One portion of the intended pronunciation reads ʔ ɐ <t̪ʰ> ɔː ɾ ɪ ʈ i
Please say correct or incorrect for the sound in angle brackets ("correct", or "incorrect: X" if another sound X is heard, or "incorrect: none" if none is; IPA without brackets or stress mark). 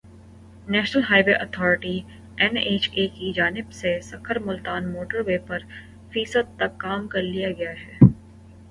correct